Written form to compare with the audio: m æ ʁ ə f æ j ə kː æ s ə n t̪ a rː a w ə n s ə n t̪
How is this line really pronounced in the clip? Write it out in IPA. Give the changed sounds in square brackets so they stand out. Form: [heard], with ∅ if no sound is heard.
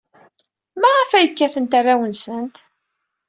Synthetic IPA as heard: m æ ʁ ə f æ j ə kː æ [θ] ə n t̪ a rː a w ə n s ə n t̪